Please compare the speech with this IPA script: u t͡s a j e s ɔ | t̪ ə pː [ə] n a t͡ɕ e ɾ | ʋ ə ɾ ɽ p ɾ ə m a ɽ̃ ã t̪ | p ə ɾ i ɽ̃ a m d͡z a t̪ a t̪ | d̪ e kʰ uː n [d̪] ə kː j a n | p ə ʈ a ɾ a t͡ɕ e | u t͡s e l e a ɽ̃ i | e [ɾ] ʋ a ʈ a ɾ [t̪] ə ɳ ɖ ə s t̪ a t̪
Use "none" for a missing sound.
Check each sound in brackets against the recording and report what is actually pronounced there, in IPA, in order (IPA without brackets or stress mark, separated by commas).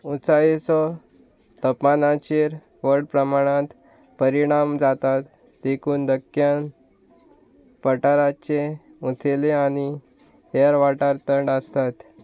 a, d̪, ɾ, t̪